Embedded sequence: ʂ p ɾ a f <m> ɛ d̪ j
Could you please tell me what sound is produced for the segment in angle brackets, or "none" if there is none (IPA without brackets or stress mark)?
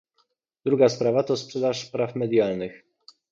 m